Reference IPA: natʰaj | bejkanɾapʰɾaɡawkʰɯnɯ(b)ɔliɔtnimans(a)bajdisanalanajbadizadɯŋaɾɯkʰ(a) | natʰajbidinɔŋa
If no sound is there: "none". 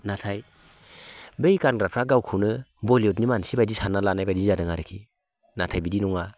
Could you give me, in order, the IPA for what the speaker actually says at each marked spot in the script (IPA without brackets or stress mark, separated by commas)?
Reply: b, i, i